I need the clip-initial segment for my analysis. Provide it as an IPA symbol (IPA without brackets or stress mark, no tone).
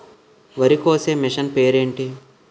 ʋ